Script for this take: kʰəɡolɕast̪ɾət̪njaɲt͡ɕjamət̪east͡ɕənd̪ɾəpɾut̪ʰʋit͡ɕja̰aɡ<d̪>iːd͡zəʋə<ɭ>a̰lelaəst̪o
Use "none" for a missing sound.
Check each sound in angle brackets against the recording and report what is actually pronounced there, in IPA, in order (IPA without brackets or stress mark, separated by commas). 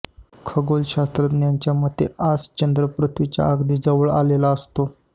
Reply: d̪, ɭ